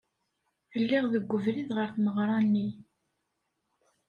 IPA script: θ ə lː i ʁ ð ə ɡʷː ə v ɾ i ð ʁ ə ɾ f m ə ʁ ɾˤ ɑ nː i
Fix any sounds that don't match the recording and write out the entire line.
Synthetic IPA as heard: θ ə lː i ʁ ð ə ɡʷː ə v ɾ i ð ʁ ə ɾ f m ə ʁ ɾˤ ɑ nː i